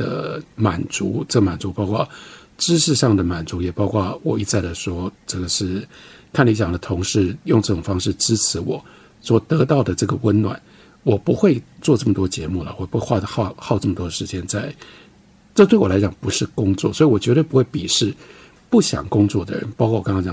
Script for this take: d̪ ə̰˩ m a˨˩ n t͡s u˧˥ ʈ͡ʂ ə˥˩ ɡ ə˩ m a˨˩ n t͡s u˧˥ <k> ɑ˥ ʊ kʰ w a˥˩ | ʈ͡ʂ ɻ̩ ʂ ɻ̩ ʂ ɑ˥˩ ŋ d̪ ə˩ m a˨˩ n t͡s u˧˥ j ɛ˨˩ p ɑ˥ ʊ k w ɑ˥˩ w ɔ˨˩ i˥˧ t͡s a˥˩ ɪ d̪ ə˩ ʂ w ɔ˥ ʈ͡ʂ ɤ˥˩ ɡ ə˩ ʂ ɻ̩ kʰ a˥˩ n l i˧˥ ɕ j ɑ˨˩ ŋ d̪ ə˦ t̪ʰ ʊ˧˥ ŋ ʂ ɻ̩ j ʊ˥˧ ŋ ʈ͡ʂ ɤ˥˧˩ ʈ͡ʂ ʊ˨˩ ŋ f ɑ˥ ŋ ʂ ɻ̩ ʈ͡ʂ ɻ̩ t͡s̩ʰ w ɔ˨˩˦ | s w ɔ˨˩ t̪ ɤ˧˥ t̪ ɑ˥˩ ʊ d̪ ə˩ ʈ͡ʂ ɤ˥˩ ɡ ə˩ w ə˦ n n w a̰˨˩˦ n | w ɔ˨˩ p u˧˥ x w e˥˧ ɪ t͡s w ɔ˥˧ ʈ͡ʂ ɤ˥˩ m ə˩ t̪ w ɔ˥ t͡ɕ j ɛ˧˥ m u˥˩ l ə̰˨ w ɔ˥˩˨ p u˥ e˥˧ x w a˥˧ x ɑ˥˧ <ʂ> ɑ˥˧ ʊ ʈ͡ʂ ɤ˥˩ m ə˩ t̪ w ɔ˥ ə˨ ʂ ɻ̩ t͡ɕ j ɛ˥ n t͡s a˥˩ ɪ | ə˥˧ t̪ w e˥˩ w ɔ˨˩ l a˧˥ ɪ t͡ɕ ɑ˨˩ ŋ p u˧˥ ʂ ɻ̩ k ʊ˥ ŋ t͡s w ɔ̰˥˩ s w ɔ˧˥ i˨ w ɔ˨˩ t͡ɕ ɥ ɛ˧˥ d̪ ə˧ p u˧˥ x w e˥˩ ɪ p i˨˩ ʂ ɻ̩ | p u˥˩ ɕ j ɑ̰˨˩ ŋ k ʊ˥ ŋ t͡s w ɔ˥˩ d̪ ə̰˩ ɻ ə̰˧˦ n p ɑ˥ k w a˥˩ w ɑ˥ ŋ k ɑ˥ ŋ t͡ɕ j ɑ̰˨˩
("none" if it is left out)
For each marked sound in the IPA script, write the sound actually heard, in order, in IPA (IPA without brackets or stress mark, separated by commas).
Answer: p, x